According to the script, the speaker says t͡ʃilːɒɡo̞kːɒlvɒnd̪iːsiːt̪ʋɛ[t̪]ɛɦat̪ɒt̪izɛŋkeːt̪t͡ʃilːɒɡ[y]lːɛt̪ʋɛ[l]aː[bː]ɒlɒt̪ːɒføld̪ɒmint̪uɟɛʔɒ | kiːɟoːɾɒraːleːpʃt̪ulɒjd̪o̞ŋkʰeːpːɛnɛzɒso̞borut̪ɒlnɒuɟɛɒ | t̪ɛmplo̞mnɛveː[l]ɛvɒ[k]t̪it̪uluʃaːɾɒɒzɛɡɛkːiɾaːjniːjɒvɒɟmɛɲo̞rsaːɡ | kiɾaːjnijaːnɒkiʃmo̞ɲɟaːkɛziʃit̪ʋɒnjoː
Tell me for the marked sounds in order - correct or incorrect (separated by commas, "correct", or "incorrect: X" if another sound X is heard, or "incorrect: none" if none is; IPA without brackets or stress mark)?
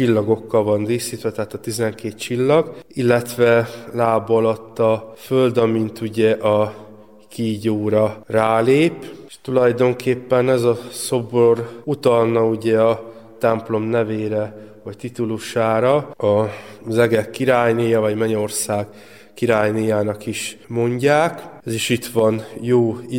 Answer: correct, incorrect: i, correct, incorrect: b, incorrect: ɾ, incorrect: c